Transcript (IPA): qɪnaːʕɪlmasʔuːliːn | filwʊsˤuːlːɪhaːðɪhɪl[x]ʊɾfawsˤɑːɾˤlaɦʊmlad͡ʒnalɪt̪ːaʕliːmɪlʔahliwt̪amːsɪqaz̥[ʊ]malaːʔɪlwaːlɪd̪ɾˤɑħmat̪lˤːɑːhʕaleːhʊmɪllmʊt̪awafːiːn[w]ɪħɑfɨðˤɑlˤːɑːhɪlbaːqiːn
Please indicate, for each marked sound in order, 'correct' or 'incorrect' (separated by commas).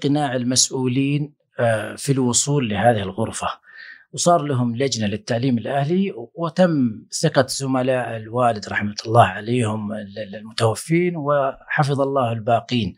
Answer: incorrect, correct, correct